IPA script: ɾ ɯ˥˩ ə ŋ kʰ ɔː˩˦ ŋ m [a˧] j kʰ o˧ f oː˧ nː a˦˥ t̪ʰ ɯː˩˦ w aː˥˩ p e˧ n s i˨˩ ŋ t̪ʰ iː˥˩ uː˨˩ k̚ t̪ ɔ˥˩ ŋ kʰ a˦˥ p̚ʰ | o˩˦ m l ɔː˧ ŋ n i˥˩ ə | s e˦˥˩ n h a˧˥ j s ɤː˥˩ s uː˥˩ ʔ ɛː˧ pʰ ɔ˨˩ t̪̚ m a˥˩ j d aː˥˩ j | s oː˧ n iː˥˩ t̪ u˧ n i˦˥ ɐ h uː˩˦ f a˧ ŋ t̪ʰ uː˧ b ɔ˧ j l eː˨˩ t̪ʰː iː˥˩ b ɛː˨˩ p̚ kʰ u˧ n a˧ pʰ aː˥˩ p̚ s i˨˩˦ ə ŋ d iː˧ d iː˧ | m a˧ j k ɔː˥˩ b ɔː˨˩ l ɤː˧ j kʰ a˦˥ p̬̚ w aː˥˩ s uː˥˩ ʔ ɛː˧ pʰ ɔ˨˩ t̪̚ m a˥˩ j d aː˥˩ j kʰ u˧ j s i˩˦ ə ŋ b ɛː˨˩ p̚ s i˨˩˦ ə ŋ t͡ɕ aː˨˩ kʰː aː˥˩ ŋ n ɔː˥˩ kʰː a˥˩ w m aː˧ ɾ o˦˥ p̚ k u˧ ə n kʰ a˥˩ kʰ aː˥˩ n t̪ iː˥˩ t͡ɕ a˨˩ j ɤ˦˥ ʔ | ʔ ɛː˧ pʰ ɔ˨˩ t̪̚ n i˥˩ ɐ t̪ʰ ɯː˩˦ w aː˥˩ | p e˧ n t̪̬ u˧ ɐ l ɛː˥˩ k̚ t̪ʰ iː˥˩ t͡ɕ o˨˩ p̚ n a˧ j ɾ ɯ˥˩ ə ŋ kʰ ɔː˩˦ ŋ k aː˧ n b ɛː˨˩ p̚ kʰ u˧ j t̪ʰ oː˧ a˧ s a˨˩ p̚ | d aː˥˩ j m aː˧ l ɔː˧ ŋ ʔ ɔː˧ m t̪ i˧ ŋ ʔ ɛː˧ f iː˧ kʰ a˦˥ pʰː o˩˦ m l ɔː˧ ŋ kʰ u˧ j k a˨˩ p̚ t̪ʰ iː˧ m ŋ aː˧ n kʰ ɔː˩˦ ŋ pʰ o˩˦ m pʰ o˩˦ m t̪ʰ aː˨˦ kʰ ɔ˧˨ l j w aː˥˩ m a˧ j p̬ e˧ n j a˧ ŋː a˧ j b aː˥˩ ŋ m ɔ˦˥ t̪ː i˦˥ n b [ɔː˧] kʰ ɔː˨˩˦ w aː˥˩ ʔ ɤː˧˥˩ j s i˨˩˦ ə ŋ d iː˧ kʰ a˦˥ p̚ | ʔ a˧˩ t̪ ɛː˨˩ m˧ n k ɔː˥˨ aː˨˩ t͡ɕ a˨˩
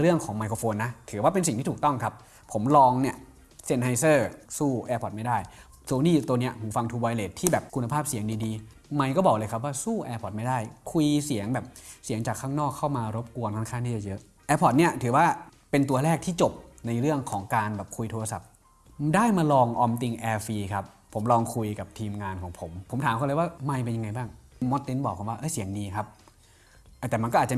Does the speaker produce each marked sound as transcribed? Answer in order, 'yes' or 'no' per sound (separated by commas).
yes, no